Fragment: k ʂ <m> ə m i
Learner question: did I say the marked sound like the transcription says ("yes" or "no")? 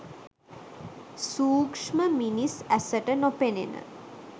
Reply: yes